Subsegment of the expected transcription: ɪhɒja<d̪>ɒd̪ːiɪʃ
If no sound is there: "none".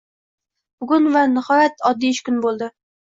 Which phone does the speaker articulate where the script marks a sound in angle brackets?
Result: t̪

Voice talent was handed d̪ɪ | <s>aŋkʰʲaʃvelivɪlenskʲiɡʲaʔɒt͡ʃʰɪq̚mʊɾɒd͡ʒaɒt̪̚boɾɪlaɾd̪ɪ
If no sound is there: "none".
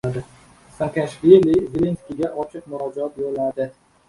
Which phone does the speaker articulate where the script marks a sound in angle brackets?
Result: s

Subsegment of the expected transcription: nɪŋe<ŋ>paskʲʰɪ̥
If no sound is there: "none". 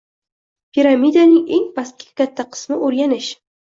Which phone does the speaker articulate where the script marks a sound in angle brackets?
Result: ŋ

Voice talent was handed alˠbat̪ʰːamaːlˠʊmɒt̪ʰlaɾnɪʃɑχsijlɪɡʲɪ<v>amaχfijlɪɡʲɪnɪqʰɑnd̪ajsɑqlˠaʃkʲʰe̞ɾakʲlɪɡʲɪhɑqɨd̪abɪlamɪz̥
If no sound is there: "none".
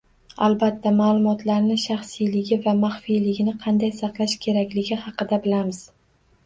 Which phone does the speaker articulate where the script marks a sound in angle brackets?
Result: v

